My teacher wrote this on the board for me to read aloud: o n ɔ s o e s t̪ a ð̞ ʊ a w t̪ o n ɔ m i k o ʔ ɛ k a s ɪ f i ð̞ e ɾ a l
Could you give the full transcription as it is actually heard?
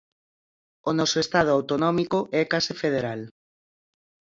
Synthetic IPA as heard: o n ɔ s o e s t̪ a ð̞ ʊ a w t̪ o n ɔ m i k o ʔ ɛ k a s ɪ f e ð̞ e ɾ a l